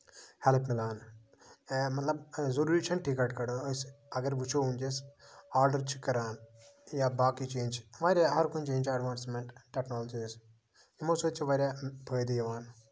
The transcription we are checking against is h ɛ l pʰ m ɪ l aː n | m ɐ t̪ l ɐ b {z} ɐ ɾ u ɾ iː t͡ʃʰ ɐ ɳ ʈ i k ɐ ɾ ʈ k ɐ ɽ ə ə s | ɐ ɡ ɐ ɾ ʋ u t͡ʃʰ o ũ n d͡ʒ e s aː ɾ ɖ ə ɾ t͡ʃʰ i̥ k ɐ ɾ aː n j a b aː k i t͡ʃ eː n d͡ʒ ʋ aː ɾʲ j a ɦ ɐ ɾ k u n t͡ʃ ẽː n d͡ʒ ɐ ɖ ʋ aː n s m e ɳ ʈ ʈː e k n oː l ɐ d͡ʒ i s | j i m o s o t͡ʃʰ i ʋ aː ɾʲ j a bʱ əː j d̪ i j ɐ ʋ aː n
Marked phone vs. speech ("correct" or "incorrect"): correct